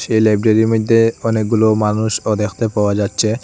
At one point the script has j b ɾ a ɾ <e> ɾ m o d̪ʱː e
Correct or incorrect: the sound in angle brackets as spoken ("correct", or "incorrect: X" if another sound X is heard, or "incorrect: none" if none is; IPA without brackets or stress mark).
incorrect: i